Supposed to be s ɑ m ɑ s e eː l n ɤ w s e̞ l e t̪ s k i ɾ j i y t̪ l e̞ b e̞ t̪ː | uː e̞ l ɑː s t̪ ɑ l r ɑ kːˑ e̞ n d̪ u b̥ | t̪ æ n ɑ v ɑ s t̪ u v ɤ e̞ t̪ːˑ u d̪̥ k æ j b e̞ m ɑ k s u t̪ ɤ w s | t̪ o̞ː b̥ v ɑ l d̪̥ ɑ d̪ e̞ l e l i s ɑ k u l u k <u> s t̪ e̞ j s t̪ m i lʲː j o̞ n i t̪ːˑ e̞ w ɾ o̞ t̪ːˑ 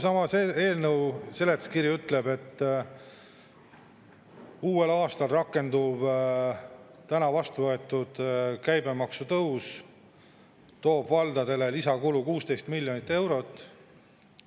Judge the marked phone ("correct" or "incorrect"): incorrect